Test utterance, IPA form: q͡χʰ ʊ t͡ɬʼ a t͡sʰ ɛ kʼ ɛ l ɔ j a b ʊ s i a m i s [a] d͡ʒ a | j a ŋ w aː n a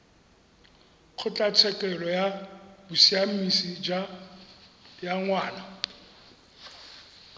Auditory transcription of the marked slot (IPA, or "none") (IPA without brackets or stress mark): i